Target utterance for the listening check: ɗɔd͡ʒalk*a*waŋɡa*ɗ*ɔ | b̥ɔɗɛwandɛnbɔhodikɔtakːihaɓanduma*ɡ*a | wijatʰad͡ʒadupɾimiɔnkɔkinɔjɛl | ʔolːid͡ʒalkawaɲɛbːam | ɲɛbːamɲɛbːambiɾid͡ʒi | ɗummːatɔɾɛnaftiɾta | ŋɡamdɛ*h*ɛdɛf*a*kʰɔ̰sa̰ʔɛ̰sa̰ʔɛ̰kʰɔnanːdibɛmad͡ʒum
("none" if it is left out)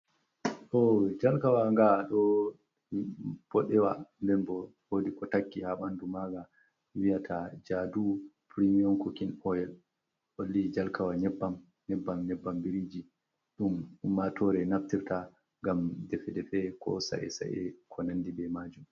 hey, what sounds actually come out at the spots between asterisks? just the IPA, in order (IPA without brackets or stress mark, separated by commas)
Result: a, ɗ, ɡ, f, ɛ